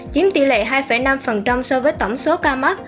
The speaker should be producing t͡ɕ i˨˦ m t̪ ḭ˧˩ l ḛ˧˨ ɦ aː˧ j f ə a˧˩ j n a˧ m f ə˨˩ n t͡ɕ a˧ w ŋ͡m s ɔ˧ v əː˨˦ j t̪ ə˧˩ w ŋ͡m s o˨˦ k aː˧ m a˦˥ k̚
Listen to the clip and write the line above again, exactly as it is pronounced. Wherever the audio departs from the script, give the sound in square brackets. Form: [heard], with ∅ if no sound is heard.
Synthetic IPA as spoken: t͡ɕ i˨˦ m t̪ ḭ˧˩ l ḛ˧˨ ɦ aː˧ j f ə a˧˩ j n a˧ m f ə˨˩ n t͡ɕ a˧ w ŋ͡m s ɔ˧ v əː˨˦ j t̪ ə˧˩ w ŋ͡m s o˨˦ k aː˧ m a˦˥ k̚